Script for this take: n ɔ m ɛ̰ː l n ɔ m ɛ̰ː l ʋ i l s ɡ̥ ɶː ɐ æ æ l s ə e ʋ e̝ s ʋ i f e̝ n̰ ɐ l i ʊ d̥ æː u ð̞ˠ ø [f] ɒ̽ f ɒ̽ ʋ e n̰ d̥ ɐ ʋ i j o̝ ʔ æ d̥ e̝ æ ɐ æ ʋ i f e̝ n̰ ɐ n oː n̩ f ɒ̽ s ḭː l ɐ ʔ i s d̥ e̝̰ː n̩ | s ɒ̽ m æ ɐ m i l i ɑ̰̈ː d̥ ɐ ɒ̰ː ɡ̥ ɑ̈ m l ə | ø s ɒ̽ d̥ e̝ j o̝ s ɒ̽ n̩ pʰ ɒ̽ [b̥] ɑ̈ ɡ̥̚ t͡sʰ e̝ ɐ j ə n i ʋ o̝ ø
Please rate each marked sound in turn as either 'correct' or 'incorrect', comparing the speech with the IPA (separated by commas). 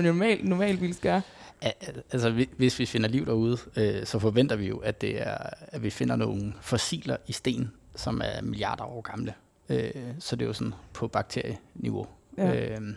incorrect, correct